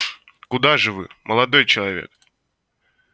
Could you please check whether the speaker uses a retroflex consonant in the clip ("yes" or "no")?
yes